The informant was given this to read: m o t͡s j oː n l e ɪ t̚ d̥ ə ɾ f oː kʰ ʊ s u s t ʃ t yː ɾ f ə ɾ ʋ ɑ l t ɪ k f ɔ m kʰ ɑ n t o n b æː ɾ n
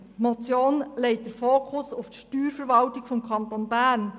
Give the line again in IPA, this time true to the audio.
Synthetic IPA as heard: m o t͡s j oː n l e ɪ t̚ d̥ ə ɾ f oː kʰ ʊ s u f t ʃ t yː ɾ f ə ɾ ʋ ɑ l t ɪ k f ɔ m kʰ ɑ n t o n b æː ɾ n